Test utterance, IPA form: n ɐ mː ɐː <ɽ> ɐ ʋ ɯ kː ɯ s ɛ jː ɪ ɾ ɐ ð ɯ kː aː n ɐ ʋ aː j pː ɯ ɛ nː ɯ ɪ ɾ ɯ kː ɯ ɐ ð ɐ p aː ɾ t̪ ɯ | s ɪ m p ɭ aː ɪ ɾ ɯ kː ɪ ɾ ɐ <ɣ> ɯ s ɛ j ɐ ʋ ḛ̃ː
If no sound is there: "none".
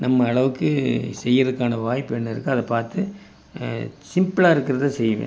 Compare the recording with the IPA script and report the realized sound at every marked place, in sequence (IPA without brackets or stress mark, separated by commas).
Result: ɭ, ð